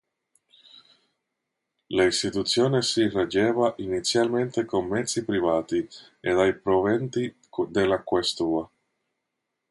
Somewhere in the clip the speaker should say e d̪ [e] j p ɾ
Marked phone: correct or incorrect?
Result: incorrect